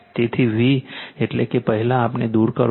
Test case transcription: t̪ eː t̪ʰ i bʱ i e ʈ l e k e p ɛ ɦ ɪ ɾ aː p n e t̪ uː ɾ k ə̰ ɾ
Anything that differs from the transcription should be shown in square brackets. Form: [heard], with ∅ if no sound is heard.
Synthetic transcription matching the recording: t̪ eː t̪ʰ i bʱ i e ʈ l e k e p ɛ ɦ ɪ [l] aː p n e [d̪] uː ɾ k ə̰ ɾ